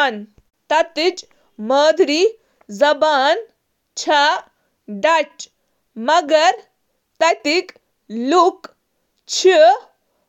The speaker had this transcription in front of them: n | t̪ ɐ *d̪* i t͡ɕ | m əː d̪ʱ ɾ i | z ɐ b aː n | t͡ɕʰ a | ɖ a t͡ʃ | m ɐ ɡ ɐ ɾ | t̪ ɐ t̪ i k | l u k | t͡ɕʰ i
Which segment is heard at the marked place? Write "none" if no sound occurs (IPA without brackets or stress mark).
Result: t̪